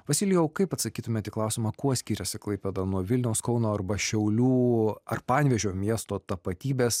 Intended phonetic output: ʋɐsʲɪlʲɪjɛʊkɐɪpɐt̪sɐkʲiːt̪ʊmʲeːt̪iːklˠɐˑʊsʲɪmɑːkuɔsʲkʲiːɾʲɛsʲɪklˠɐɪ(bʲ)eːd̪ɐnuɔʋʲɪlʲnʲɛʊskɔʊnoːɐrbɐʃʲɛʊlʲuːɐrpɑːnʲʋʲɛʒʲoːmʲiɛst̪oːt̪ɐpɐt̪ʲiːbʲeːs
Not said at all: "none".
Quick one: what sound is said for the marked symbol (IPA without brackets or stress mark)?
pʲ